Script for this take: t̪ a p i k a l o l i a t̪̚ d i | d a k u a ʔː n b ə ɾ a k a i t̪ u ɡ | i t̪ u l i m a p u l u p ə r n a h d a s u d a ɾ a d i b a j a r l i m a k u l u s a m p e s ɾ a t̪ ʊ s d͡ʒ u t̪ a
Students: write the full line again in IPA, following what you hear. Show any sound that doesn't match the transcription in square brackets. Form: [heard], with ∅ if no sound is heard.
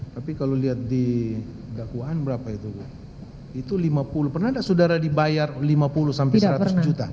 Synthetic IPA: t̪ a p i k a l o l i a t̪̚ d i | d a k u a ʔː n b ə ɾ a [p] a i t̪ u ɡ | i t̪ u l i m a p u l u p ə r n a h d a s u d a ɾ a d i b a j a r l i m a [p] u l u s a m p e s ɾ a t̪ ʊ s d͡ʒ u t̪ a